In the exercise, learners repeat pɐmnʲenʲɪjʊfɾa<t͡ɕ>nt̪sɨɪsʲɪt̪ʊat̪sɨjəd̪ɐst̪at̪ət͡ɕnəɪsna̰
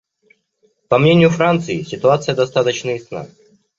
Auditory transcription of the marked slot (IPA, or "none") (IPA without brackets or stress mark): none